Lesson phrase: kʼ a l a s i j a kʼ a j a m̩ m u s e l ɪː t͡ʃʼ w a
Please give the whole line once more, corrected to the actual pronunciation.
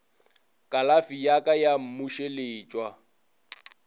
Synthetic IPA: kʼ a l a f i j a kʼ a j a m̩ m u ʃ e l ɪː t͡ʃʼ w a

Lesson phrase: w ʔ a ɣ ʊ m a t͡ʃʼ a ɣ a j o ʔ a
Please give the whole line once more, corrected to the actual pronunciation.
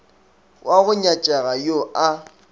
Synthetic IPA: w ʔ a ɣ ʊ ɲ a t͡ʃʼ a ɣ a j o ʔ a

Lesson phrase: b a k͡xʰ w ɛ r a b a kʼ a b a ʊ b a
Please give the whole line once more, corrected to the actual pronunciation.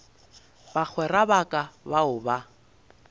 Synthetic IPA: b a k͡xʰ w ɛ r a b a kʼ a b a ʊ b a

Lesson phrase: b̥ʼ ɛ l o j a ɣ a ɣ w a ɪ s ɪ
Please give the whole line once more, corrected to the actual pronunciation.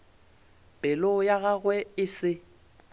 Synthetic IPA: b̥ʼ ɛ l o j a ɣ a ɣ w ɛ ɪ s ɪ

